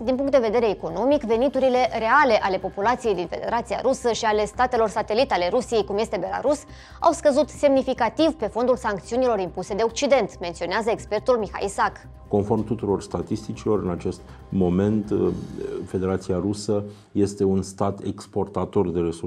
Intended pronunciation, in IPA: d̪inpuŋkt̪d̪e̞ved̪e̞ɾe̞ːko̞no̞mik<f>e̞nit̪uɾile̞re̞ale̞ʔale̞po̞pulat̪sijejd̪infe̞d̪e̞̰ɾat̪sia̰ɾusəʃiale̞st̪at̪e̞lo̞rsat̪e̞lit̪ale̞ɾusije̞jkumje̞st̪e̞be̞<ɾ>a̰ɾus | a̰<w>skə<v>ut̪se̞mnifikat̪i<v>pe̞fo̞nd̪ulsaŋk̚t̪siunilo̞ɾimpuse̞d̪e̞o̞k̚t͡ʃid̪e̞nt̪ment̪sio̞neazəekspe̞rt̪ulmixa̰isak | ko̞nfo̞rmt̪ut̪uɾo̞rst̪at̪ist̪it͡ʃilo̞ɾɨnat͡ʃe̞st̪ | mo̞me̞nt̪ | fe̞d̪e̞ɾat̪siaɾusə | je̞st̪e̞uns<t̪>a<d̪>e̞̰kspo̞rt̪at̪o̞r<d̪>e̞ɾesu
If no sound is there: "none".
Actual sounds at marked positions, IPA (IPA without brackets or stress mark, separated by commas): v, l, w, z, v, t̪, t̪, d̪